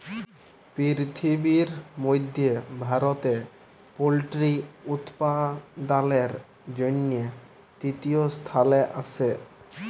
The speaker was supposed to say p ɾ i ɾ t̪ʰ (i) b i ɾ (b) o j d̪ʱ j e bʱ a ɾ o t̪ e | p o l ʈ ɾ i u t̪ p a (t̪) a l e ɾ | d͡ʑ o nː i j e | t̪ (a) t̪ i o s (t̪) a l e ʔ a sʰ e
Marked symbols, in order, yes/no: yes, no, no, no, no

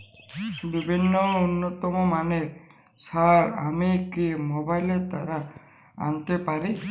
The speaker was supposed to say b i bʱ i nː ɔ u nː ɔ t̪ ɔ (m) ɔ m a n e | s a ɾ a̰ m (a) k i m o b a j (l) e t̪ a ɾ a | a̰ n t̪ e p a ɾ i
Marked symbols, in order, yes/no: yes, no, yes

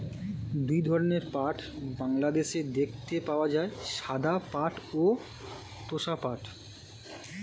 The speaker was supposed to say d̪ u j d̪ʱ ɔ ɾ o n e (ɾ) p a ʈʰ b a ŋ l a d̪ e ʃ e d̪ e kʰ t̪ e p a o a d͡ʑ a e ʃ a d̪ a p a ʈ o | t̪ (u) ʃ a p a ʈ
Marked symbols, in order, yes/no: yes, no

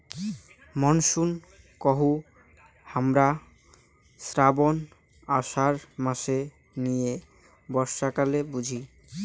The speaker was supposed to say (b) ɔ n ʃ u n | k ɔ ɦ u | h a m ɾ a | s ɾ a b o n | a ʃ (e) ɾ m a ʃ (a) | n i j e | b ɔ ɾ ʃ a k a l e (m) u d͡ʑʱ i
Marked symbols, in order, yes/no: no, no, no, no

